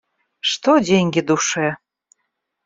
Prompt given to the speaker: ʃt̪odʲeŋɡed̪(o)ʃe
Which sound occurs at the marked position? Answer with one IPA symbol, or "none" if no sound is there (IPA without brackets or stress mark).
u